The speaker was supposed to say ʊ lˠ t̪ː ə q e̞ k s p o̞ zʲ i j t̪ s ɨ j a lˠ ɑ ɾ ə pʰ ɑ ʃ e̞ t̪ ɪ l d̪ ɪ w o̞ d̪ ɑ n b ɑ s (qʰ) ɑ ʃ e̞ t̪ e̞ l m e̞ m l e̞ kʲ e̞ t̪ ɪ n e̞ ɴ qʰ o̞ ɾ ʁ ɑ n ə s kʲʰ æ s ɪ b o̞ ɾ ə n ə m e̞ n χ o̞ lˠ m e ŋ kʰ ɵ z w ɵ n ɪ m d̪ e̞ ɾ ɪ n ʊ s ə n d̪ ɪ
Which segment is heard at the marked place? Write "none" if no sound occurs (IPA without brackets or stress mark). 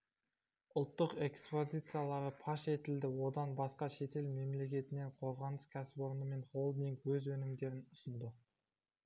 q